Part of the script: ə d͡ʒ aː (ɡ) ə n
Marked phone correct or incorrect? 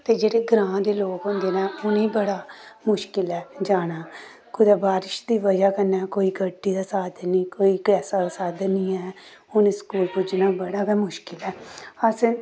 incorrect